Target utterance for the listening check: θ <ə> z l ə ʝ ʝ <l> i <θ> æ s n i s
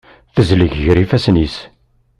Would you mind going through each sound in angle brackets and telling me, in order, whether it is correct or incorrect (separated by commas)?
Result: correct, incorrect, incorrect